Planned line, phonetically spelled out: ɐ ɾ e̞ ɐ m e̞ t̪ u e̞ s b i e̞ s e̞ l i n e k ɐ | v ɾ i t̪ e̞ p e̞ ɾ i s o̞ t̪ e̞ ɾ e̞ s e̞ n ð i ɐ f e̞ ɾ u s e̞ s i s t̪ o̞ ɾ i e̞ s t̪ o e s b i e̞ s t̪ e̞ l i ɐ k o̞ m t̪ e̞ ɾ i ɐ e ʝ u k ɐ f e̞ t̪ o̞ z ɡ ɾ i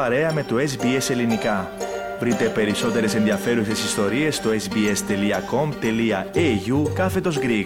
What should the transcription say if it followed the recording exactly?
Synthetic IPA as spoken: ɐ ɾ e̞ ɐ m e̞ t̪ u e̞ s b i e̞ s e̞ l i n i k ɐ | v ɾ i t̪ e̞ p e̞ ɾ i s o̞ t̪ e̞ ɾ e̞ s e̞ n ð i ɐ f e̞ ɾ u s e̞ s i s t̪ o̞ ɾ i e̞ s t̪ o e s b i e̞ s t̪ e̞ l i ɐ k o̞ m t̪ e̞ l i ɐ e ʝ u k ɐ f e̞ t̪ o̞ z ɡ ɾ i